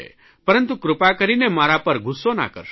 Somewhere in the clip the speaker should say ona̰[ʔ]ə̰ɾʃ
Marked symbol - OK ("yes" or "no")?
no